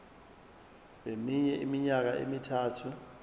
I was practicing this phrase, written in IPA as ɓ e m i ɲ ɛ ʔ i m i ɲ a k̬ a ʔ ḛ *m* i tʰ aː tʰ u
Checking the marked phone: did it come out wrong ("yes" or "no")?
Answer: no